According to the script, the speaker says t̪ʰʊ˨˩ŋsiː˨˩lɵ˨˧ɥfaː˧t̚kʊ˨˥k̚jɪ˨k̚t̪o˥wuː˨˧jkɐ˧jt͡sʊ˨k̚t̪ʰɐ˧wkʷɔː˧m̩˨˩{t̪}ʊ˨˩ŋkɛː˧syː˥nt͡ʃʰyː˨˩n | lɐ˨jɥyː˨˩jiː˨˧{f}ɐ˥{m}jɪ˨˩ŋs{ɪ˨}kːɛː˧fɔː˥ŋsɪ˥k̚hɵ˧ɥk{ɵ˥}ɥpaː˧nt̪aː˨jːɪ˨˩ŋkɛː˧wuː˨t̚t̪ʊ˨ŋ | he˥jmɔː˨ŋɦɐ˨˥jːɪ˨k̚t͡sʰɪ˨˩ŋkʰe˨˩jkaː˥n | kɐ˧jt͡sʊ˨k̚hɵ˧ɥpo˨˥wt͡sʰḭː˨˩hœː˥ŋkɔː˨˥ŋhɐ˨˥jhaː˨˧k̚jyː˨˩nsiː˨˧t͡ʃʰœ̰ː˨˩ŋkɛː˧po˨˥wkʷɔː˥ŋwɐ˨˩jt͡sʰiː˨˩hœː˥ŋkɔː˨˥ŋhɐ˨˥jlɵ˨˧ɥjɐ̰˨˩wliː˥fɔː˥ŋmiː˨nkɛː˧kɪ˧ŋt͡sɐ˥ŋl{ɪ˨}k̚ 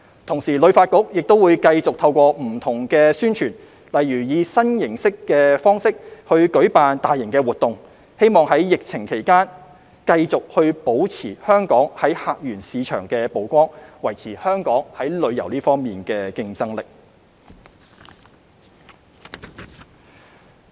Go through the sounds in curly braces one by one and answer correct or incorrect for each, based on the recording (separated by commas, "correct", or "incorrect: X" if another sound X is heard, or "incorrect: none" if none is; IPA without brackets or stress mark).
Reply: incorrect: t̪ʰ, incorrect: s, incorrect: n, incorrect: ɪ˥, incorrect: ɵ˨˥, correct